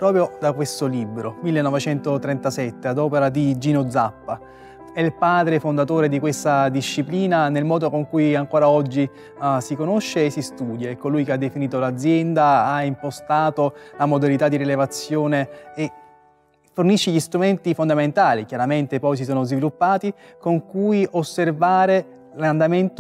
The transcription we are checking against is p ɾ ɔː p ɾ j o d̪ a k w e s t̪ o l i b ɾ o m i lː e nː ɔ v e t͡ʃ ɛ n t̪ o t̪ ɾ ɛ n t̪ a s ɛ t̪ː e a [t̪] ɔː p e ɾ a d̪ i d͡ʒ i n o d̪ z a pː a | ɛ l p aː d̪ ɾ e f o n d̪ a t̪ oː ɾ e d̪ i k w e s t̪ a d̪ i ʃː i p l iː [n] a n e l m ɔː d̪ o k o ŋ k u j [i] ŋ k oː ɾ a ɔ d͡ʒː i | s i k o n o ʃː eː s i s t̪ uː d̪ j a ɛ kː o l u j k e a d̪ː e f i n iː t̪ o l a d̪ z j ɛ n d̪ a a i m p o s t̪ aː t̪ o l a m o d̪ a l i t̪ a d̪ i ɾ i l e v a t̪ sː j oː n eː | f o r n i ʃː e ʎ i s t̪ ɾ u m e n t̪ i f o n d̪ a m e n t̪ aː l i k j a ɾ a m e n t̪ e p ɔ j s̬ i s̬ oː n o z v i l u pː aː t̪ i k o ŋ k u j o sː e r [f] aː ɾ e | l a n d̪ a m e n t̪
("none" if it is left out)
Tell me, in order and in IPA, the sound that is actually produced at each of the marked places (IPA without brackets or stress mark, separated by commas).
d̪, n, a, v